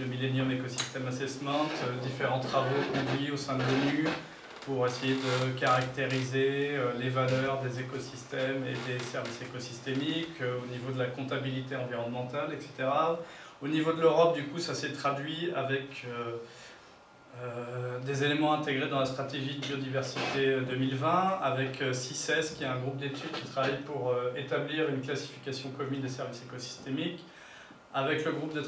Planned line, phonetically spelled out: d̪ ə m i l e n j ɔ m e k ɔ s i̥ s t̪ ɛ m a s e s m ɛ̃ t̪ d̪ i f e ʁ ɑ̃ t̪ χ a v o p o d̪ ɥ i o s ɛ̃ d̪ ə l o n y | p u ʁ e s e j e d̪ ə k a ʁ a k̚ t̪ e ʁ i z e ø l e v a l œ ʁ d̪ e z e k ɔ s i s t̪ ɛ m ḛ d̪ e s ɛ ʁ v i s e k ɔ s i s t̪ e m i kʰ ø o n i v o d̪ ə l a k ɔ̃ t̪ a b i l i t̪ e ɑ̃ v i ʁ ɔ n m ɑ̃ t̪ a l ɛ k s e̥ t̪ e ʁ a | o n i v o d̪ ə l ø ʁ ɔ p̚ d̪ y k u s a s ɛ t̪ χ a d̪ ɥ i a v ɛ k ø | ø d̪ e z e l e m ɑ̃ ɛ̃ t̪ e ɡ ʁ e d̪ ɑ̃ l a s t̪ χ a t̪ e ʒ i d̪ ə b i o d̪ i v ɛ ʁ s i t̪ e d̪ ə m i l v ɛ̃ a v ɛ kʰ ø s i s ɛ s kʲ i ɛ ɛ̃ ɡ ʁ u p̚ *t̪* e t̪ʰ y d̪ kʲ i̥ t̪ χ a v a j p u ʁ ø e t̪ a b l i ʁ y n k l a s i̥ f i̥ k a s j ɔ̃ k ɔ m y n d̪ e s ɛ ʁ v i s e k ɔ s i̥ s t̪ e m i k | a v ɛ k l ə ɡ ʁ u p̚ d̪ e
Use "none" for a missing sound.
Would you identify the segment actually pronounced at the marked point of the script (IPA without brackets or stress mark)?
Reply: d̪